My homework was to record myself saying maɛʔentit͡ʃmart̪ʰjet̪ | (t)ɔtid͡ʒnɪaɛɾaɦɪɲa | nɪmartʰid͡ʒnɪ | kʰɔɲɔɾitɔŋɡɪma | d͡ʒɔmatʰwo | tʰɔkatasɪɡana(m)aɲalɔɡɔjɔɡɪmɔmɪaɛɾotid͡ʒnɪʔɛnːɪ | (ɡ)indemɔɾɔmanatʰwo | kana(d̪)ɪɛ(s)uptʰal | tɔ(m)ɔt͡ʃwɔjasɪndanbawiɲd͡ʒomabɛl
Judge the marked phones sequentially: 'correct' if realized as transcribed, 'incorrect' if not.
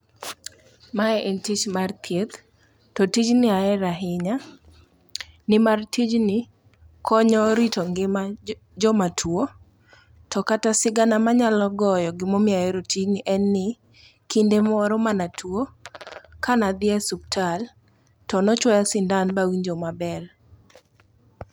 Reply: correct, correct, incorrect, correct, correct, incorrect

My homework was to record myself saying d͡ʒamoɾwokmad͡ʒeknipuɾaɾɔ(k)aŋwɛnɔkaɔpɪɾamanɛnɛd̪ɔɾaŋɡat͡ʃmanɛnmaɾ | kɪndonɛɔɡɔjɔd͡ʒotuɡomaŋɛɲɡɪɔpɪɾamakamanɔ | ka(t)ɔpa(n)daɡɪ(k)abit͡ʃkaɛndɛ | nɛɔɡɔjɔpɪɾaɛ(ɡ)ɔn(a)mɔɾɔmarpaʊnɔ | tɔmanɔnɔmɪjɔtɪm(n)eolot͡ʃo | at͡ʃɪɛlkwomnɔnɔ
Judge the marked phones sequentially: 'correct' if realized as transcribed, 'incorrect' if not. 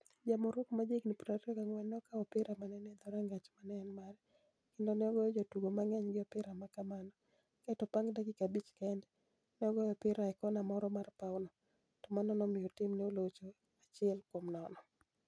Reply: correct, correct, incorrect, correct, incorrect, correct, correct

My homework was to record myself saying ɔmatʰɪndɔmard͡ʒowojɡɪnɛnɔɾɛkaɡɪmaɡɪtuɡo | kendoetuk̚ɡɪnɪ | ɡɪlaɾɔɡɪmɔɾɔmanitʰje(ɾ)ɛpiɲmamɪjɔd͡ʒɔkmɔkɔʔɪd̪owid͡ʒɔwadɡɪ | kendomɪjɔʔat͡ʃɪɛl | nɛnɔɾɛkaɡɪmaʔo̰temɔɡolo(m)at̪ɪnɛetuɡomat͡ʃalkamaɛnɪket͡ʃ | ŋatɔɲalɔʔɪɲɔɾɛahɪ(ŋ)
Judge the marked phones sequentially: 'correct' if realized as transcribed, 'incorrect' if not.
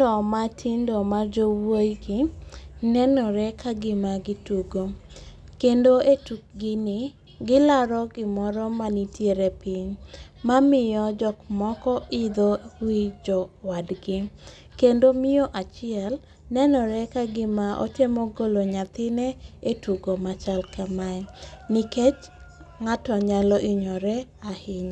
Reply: correct, incorrect, incorrect

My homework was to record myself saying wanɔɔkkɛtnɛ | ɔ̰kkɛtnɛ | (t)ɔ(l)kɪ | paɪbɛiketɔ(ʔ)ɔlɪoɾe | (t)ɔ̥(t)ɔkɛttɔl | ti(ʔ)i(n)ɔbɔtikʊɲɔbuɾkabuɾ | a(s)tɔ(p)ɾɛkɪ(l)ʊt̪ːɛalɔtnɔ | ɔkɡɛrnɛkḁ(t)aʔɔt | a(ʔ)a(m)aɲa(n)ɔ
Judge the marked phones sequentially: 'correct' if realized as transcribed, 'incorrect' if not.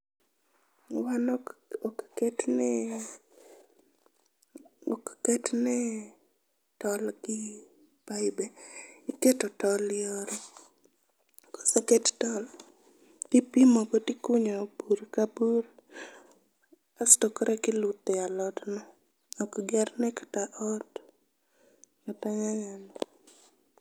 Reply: correct, correct, incorrect, incorrect, incorrect, incorrect, incorrect, correct, incorrect, correct, correct, incorrect, incorrect, correct

